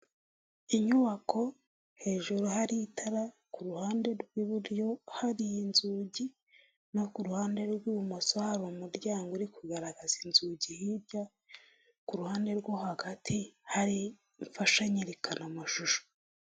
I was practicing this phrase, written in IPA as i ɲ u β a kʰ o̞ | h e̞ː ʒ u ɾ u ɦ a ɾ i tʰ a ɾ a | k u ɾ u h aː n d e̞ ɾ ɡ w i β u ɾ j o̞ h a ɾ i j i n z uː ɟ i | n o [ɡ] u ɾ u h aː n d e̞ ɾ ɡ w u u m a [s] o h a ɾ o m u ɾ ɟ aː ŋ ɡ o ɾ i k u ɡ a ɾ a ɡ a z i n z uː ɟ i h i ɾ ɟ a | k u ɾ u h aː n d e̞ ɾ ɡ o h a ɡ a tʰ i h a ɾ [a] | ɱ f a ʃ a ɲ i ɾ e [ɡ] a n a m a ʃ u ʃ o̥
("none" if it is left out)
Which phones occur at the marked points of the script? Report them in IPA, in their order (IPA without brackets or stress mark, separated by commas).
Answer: k, s, i, k